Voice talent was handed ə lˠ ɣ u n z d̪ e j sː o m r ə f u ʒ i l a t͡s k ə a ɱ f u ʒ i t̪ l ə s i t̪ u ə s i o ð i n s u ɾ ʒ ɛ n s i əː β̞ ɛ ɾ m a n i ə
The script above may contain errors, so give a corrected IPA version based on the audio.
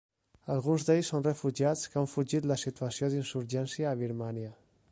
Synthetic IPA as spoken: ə lˠ ɣ u n z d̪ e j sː o n r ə f u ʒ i a t͡s k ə a ɱ f u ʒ i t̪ l ə s i t̪ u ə s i o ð i n s u ɾ ʒ ɛ n s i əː β̞ i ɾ m a n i ə